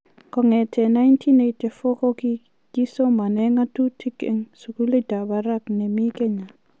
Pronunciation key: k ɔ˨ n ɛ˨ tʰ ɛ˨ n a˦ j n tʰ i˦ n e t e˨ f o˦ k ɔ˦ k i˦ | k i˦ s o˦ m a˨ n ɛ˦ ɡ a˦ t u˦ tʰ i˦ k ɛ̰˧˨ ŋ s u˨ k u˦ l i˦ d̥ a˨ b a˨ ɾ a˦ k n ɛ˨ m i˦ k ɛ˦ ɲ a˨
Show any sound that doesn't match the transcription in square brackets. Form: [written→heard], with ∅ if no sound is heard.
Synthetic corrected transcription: k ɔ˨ [n→ŋ] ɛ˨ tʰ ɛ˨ n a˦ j n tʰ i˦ n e t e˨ f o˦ k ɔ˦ k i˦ | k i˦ s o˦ m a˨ n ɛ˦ [ɡ→ŋ] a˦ t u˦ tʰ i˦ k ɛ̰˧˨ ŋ s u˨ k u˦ l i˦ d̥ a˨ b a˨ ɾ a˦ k n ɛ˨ m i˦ k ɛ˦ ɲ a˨